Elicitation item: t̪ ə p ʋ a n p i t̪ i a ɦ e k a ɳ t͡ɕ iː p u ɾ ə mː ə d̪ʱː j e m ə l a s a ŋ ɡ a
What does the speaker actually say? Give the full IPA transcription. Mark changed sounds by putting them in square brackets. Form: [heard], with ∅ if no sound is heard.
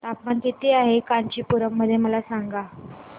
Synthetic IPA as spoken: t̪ [a] p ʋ a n [k] i t̪ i a ɦ e k a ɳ t͡ɕ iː p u ɾ ə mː ə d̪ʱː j e m ə l a s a ŋ ɡ a